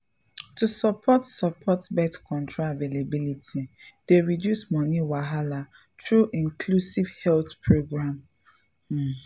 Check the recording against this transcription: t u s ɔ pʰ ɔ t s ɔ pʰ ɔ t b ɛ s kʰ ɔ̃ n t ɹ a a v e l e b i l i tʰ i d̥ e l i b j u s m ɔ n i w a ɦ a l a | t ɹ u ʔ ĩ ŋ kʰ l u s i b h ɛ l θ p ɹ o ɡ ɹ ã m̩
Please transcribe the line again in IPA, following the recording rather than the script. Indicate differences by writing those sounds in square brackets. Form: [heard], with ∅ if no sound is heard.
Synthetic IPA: t u s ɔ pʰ ɔ t s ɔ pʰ ɔ t b ɛ [t] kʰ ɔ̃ n t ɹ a a v e l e b i l i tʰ i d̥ e [ɹ] i [d] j u s m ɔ n i w a ɦ a l a | t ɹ u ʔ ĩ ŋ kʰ l u s i [v] h ɛ l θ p ɹ o ɡ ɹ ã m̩